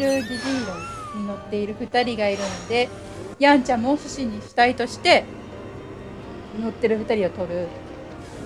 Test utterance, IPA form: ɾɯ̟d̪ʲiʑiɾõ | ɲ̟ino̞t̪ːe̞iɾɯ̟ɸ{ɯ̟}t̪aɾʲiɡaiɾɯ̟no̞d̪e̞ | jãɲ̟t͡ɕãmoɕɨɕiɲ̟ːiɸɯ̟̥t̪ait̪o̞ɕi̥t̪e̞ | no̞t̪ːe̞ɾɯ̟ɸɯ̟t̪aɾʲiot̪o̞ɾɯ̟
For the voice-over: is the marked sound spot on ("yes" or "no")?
yes